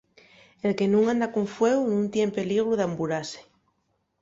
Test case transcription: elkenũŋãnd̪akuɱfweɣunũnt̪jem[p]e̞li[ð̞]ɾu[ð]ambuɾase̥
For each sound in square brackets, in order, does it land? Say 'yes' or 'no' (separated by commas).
yes, no, yes